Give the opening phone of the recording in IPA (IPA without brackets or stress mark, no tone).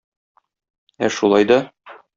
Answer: æ